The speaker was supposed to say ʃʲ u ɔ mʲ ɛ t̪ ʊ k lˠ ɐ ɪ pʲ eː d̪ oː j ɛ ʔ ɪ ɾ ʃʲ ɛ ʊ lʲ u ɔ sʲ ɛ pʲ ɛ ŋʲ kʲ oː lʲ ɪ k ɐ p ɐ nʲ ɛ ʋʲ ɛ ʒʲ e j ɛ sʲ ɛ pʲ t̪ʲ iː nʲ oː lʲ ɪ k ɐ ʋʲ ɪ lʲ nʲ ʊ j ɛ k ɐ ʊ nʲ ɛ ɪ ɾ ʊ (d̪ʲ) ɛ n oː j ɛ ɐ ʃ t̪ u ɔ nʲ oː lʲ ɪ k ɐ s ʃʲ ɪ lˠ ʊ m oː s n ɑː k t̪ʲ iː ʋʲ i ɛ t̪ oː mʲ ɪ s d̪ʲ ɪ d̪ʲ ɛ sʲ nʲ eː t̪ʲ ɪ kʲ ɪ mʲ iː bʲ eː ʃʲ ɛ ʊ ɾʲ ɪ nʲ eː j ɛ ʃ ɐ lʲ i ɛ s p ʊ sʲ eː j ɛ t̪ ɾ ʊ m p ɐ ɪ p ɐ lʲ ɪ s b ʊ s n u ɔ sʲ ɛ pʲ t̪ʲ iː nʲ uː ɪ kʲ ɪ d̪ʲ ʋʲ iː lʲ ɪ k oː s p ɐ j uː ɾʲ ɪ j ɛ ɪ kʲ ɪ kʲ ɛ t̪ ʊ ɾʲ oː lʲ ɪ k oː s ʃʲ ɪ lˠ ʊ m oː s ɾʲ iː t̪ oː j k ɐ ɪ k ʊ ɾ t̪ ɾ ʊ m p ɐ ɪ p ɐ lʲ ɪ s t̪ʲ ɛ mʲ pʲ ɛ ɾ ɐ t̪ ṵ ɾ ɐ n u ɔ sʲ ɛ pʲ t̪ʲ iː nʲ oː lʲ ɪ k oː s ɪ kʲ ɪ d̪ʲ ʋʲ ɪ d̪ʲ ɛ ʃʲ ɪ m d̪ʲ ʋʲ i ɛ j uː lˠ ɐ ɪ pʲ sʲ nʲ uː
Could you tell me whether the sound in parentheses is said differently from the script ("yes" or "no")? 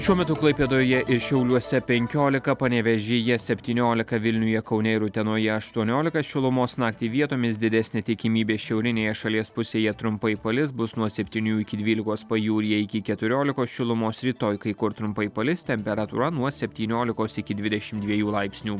yes